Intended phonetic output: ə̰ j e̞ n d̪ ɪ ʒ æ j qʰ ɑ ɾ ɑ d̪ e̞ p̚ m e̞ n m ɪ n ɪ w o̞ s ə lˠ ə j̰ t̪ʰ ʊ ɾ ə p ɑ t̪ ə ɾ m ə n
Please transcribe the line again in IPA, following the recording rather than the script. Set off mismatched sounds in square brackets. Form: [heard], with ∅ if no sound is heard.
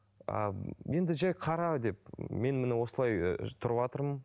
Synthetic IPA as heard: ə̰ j e̞ n d̪ ɪ ʒ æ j qʰ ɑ ɾ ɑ d̪ e̞ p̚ m e̞ n m ɪ n ɪ w o̞ s ə lˠ [ɑ] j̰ t̪ʰ ʊ ɾ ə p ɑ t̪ ə ɾ m ə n